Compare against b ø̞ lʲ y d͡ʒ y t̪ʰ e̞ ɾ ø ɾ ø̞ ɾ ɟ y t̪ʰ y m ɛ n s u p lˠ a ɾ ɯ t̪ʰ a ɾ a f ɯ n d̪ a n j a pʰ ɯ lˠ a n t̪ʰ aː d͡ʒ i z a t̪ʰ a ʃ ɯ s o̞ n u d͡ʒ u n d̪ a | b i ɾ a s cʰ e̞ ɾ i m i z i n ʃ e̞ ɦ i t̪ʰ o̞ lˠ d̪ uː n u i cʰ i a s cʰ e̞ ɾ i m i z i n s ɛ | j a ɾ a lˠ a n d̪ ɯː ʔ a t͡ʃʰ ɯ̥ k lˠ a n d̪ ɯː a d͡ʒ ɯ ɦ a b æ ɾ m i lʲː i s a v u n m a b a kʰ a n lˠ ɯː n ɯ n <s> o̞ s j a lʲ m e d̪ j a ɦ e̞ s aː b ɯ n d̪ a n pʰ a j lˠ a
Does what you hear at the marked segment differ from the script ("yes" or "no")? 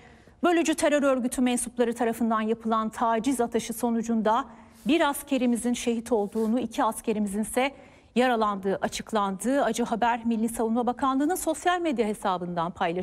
no